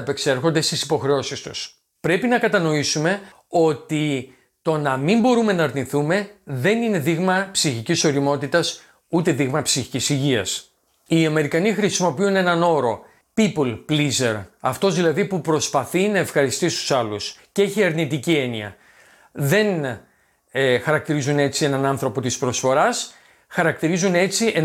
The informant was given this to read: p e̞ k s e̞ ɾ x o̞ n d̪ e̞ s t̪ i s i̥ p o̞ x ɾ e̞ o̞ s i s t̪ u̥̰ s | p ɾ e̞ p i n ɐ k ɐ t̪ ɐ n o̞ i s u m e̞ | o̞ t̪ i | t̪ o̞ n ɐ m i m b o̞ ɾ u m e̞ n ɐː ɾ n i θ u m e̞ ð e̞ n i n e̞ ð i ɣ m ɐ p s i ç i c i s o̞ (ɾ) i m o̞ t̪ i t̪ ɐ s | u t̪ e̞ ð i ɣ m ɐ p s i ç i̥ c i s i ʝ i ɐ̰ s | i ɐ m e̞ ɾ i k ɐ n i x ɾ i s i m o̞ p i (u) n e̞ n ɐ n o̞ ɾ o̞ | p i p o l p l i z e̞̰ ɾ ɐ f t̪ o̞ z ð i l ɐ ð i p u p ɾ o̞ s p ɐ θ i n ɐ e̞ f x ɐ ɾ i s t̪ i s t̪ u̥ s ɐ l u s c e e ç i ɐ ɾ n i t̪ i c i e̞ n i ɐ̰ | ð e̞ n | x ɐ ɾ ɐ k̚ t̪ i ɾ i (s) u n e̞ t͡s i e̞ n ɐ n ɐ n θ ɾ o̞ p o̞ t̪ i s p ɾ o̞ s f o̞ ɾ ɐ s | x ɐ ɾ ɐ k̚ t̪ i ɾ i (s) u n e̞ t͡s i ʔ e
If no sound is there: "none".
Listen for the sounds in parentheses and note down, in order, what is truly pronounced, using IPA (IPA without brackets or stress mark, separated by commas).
ɾ, u, z, z